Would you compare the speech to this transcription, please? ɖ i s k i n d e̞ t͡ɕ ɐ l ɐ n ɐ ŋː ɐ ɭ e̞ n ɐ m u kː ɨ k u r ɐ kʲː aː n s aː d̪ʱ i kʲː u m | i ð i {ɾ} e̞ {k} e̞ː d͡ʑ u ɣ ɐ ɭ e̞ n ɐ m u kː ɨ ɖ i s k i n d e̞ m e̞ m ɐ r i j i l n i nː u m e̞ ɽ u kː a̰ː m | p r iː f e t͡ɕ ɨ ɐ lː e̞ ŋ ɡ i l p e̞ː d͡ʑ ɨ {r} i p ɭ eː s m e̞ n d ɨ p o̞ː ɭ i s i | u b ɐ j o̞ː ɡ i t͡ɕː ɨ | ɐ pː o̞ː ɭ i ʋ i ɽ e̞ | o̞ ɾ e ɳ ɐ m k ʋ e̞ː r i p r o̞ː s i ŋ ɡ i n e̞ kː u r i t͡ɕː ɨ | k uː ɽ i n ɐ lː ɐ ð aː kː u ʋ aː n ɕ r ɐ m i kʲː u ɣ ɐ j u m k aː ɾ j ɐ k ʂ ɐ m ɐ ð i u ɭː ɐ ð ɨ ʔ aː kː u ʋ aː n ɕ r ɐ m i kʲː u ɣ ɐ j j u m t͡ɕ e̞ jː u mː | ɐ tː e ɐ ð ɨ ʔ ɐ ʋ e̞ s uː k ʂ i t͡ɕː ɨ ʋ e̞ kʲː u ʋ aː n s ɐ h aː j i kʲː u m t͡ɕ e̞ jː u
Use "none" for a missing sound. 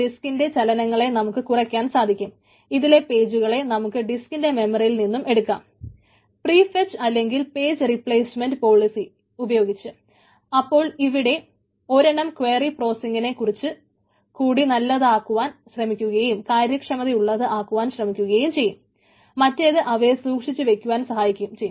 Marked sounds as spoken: l, p, r

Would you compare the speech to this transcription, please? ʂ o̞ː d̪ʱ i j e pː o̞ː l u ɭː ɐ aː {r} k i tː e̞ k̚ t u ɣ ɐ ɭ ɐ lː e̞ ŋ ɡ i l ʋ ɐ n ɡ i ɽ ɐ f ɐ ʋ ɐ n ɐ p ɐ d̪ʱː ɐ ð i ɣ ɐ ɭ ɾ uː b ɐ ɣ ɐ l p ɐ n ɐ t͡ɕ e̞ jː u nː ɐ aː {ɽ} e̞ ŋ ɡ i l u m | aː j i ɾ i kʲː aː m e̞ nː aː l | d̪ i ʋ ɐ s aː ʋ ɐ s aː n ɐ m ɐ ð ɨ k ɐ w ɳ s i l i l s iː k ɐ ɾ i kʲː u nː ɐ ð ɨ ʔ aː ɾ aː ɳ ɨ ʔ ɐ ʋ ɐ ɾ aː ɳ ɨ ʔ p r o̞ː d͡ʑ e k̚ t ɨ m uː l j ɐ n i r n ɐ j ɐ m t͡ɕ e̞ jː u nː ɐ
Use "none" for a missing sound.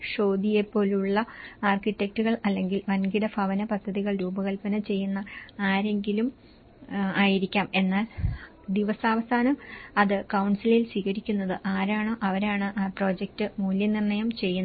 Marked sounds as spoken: r, ɾ

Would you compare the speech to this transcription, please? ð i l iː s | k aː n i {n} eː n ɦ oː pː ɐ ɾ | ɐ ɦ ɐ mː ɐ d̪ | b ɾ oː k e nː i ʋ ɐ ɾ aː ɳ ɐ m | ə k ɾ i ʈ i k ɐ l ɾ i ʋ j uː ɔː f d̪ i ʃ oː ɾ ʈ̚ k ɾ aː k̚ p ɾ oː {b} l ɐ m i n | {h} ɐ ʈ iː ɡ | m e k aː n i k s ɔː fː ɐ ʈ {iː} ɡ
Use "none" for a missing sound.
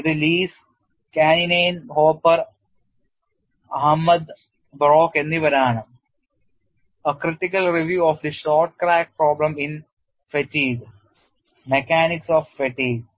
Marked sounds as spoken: n, b, f, iː

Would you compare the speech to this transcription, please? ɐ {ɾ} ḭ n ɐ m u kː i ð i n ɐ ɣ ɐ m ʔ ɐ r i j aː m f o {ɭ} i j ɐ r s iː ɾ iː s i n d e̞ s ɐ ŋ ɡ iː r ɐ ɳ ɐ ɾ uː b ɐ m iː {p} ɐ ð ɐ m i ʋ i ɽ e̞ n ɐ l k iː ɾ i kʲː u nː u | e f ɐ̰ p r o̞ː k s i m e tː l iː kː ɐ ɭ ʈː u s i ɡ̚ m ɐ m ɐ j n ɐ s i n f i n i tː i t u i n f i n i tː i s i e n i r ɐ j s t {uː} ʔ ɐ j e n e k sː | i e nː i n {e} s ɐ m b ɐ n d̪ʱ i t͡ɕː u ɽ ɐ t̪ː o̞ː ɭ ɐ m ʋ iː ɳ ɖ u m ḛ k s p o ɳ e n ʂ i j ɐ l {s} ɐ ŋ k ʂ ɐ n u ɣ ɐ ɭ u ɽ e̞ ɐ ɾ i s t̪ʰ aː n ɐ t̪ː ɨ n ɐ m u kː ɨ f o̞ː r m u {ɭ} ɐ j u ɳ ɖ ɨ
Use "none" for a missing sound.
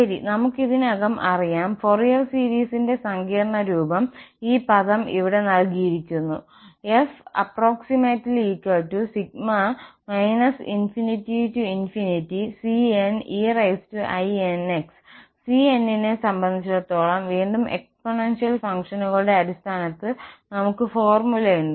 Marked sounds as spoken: ɾ, r, p, u, e, f, l

